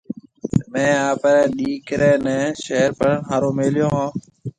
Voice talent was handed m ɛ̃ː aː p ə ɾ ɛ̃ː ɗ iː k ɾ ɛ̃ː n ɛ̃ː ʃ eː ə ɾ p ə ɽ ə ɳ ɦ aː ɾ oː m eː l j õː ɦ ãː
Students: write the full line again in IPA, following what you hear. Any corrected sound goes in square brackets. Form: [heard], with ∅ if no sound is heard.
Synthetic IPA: m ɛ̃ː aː p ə ɾ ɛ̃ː ɗ iː k ɾ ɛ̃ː n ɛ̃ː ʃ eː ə ɾ p ə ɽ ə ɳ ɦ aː ɾ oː m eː l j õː ɦ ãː